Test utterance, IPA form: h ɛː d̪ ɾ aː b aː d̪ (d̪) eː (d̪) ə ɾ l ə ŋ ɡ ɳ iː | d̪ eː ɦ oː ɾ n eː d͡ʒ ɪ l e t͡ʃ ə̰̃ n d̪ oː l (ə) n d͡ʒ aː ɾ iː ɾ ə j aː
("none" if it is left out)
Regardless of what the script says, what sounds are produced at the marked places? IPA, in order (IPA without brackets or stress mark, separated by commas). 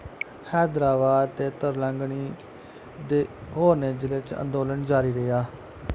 t̪, t̪, ə